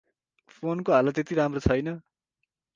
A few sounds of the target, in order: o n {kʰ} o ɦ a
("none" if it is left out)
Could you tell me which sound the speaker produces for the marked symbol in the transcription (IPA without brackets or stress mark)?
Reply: k